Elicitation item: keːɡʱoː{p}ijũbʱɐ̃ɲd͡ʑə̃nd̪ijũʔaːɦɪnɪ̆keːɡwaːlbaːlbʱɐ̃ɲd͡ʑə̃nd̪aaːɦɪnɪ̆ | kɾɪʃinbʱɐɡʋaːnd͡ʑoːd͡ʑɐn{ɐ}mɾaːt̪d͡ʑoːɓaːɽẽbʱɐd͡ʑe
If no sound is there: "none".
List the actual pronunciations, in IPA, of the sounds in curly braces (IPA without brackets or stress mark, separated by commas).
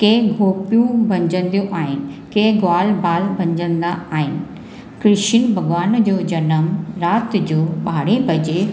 p, ə